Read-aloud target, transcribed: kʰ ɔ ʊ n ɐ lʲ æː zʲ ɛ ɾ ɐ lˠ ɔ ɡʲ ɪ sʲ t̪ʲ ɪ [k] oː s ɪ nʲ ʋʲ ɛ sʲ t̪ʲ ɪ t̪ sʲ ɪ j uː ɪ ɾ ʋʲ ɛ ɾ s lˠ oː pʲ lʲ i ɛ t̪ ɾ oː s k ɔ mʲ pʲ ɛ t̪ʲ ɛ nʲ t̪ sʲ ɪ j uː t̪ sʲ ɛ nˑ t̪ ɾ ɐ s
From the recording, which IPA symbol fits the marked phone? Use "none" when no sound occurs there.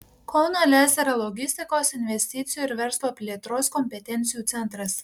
k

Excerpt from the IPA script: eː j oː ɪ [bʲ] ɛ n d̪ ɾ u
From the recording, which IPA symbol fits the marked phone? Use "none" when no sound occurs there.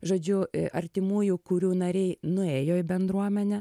bʲ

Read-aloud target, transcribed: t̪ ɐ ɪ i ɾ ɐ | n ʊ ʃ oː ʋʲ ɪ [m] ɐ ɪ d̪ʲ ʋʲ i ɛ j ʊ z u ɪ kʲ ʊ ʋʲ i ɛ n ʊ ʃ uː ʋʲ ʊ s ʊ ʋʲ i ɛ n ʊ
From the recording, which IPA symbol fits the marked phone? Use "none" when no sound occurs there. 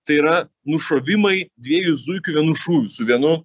m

